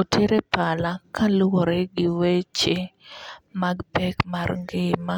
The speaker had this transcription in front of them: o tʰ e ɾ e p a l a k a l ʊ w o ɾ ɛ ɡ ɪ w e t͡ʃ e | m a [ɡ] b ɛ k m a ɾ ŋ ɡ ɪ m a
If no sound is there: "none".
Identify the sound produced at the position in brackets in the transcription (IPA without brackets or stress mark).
ɡ